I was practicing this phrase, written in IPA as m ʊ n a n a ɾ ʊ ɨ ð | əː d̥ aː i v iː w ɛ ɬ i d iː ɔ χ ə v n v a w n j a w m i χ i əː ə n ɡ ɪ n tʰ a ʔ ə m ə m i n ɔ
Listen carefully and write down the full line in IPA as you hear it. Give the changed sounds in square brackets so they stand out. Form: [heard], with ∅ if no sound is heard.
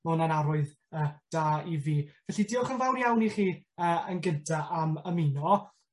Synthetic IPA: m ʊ n a n a ɾ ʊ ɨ ð | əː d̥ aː i v iː [v] ɛ ɬ i d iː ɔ χ ə [∅] n v a w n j a w [n] i χ [iː] əː ə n ɡ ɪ n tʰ a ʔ [a] m ə m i n ɔ